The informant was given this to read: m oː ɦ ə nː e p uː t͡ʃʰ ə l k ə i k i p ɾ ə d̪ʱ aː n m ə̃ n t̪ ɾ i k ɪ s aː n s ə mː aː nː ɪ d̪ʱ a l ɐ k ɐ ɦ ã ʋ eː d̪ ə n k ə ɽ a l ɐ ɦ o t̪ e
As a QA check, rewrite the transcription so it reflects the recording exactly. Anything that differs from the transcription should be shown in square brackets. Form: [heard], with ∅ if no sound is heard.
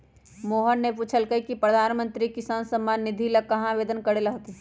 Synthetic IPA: m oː ɦ ə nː e p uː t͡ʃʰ ə l k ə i k i p ɾ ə d̪ʱ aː n m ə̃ n t̪ ɾ i k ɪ s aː n s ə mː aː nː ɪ d̪ʱ [i] l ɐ k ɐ ɦ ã ʋ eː d̪ ə n k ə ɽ [e] l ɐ ɦ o t̪ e